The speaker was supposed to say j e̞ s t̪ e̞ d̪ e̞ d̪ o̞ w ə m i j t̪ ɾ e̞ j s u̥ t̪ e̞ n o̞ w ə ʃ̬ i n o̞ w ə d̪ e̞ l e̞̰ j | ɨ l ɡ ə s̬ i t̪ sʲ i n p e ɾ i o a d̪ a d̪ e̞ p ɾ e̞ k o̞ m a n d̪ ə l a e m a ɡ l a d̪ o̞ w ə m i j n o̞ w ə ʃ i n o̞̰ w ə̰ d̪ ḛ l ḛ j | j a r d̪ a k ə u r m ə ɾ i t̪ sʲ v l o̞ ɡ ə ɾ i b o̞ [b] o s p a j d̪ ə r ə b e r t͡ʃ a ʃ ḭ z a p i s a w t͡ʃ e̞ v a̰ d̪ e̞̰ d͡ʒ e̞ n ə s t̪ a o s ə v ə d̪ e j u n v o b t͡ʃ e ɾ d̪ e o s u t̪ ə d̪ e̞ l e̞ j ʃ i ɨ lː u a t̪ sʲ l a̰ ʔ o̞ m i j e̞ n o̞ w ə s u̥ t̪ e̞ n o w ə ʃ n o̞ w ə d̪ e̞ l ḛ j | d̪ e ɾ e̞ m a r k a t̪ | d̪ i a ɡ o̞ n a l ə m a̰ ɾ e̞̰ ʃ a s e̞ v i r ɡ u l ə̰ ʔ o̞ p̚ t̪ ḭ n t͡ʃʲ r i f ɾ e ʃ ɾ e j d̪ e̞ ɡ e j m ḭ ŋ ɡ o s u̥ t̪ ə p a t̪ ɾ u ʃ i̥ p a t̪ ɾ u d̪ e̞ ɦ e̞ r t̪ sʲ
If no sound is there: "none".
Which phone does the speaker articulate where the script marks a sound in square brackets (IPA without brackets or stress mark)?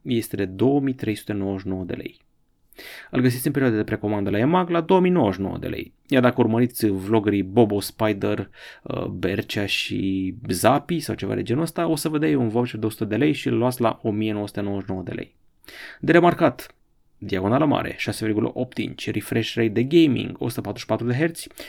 b